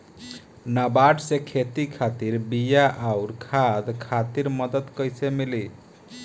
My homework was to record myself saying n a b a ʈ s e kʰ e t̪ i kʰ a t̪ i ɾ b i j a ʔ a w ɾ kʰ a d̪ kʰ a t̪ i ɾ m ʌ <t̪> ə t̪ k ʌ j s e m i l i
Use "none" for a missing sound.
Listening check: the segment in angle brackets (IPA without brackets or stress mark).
d̪